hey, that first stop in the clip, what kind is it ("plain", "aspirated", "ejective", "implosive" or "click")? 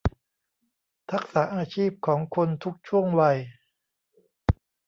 aspirated